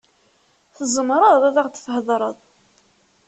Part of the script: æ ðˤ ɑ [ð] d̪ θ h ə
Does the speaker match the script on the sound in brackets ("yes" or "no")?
no